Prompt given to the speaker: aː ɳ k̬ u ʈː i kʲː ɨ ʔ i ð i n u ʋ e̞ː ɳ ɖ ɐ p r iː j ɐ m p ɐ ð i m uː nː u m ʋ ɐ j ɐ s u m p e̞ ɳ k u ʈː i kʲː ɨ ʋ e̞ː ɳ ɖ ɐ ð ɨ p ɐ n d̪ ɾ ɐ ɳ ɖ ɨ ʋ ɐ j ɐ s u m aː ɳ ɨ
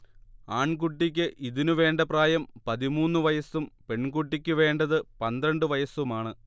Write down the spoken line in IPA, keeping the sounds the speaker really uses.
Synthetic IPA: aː ɳ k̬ u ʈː i kʲː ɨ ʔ i ð i n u ʋ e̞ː ɳ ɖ ɐ p r aː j ɐ m p ɐ ð i m uː nː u ʋ ɐ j ɐ s u m p e̞ ɳ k u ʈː i kʲː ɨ ʋ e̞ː ɳ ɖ ɐ ð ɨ p ɐ n d̪ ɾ ɐ ɳ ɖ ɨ ʋ ɐ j ɐ s u m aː ɳ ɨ